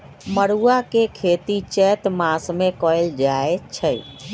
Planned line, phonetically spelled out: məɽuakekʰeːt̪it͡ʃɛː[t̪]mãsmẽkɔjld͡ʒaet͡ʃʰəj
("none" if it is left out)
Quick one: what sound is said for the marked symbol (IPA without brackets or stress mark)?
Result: t̪